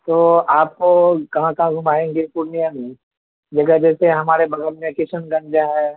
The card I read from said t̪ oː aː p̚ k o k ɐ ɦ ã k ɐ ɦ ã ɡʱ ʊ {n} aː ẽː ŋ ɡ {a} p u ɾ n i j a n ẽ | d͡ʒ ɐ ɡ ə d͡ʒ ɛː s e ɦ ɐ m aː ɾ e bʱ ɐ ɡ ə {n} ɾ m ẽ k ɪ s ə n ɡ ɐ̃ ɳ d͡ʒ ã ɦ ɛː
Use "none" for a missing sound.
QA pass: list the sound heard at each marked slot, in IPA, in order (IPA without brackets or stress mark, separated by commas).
m, e, none